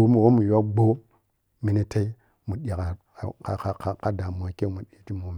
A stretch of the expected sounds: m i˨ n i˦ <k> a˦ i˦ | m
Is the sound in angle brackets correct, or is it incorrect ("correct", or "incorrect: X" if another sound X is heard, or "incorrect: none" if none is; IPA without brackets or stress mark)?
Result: incorrect: t